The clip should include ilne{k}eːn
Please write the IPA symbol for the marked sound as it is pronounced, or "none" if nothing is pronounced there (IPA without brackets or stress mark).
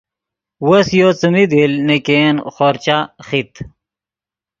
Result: k